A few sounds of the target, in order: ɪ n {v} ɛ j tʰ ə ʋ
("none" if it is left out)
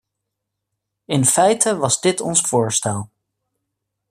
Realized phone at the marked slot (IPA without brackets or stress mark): f